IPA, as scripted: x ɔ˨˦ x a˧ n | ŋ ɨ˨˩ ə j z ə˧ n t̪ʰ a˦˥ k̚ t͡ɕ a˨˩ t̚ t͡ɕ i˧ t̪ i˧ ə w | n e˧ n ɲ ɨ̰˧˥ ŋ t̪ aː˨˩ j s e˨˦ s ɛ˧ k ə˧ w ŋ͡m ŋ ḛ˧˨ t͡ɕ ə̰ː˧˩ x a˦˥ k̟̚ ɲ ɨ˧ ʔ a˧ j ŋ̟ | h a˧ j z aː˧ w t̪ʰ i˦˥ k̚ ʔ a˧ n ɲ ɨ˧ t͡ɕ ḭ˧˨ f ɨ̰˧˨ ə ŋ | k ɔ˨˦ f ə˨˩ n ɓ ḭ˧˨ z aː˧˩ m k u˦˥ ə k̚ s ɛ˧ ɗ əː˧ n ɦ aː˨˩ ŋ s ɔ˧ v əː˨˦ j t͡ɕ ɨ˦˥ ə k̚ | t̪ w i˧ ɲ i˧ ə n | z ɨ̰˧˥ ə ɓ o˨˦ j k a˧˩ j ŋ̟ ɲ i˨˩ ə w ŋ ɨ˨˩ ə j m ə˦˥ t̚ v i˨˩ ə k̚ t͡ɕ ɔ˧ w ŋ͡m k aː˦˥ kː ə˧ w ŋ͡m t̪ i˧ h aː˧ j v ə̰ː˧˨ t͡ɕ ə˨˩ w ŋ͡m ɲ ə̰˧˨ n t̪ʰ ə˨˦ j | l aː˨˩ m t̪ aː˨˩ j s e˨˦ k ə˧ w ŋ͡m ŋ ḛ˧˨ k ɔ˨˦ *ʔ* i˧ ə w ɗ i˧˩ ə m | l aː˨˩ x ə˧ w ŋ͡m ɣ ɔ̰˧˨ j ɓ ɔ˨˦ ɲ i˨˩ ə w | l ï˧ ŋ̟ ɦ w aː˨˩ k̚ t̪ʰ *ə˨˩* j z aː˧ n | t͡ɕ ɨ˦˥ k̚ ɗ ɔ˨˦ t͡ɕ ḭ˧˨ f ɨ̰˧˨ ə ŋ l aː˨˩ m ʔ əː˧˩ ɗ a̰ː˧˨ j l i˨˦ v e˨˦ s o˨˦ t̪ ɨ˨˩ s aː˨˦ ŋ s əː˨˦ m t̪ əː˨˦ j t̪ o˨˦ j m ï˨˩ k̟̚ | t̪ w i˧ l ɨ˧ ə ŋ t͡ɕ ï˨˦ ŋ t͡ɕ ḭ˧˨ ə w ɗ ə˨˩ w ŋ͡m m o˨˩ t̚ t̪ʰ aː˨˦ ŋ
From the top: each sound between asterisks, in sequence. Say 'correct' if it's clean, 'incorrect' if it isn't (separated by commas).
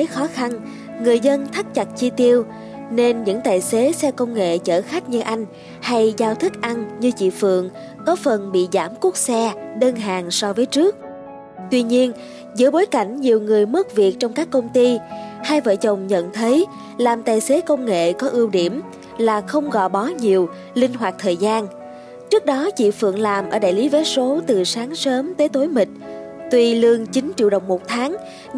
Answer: correct, incorrect